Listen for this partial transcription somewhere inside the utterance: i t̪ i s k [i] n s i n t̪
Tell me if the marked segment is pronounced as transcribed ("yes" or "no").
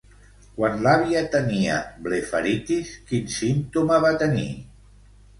yes